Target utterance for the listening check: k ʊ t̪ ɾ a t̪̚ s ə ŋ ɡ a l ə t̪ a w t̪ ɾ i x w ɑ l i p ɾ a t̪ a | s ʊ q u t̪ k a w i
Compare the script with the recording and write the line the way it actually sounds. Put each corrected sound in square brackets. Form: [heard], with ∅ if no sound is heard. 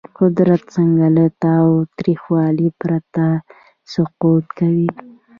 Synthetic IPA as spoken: [q] ʊ [d̪] ɾ a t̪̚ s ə ŋ ɡ a l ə t̪ a w t̪ ɾ i x w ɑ l i p ɾ a t̪ a | s ʊ q u t̪ k a w i